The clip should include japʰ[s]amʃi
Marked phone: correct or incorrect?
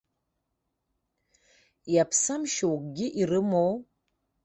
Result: correct